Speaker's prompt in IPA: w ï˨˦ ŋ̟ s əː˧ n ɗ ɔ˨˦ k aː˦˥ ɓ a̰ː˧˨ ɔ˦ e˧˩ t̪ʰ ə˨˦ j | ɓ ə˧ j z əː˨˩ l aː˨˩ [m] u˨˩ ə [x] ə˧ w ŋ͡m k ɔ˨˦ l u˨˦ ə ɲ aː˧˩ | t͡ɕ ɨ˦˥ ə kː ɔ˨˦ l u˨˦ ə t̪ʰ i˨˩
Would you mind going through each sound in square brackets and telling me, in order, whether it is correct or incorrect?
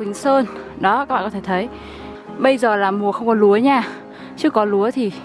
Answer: correct, correct

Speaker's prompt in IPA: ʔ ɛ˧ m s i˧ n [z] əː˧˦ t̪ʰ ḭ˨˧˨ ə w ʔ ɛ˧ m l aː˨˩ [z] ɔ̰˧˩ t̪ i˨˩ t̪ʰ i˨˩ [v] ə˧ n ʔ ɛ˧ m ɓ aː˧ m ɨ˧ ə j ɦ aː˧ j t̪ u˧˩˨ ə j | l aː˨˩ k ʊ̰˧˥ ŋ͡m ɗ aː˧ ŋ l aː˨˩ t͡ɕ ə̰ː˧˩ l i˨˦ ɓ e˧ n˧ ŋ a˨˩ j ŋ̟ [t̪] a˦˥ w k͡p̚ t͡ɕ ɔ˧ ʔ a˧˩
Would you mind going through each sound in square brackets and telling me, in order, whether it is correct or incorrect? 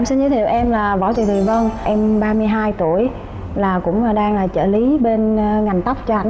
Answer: correct, incorrect, correct, correct

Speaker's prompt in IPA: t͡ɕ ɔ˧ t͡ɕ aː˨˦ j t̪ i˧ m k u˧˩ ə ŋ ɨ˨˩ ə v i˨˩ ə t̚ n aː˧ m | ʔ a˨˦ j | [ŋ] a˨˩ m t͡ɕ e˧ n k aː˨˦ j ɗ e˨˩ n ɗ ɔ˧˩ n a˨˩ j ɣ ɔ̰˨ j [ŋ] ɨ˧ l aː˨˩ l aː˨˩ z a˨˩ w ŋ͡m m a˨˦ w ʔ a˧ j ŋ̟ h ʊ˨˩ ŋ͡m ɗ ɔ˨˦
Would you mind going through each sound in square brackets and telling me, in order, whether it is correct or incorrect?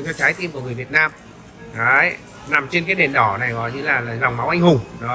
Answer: incorrect, incorrect

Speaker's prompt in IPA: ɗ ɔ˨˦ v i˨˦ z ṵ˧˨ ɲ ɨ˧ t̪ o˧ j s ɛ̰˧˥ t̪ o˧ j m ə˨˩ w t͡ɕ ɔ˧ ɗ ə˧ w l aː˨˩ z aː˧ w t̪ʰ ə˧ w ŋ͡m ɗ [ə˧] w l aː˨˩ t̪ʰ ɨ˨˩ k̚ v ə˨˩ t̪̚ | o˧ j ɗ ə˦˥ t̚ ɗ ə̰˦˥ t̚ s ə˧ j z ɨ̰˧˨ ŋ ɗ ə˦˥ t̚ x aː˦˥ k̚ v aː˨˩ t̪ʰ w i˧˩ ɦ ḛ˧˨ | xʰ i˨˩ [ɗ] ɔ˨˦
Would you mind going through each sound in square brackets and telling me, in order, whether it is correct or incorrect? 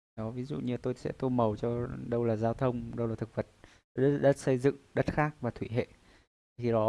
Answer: correct, correct

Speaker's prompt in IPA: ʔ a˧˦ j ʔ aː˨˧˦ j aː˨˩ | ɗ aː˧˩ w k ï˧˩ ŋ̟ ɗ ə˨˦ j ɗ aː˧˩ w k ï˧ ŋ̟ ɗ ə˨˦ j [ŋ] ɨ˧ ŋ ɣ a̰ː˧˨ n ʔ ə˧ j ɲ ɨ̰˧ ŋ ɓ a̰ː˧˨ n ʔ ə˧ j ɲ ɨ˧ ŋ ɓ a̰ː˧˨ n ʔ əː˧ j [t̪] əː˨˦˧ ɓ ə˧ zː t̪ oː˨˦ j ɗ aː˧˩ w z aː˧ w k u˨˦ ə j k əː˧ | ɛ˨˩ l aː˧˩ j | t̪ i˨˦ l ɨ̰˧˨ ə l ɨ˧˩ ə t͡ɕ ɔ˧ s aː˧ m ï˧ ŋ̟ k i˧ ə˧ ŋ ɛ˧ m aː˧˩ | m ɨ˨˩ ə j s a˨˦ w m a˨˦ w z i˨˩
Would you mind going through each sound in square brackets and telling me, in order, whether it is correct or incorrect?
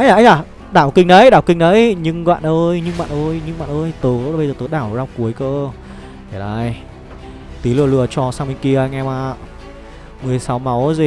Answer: incorrect, correct

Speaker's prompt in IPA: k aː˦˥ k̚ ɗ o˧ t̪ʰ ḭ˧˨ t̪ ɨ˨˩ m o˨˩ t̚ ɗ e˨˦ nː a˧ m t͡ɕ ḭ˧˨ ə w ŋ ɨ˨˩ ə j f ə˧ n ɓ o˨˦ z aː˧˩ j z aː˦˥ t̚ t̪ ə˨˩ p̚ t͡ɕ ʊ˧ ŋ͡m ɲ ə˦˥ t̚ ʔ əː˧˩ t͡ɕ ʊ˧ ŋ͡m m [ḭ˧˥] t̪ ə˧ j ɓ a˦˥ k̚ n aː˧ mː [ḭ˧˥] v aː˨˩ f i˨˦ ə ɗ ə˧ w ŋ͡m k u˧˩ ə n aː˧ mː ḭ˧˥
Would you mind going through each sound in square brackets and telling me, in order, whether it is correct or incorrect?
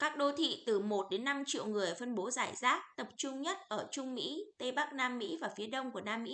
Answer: correct, correct

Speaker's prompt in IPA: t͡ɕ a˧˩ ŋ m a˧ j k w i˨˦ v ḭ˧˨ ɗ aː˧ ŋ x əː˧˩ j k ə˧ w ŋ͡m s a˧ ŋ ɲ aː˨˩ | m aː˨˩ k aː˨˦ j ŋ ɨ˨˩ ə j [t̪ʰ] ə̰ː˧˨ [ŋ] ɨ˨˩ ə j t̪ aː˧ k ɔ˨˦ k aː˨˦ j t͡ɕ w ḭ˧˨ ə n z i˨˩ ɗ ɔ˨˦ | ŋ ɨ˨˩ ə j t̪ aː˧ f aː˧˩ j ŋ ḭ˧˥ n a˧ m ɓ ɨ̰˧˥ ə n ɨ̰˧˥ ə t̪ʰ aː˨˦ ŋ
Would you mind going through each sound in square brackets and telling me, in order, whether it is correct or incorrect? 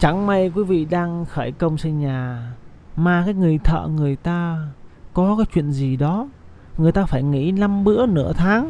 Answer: correct, correct

